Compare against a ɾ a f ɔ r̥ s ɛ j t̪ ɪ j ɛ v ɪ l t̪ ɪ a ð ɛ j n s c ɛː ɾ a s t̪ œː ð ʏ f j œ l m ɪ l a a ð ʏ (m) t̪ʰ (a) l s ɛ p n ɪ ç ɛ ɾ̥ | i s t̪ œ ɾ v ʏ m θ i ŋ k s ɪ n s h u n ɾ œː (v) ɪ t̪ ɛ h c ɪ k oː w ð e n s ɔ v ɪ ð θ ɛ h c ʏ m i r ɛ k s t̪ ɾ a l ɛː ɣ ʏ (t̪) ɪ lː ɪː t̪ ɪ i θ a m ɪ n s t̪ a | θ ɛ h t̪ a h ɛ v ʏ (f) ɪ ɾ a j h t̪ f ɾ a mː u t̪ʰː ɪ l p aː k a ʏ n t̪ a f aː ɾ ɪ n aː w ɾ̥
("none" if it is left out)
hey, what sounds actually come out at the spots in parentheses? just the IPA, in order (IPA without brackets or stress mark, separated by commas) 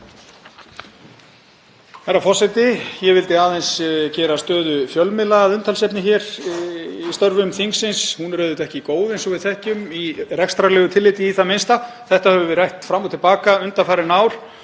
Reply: n, a, ð, t̪ʰ, v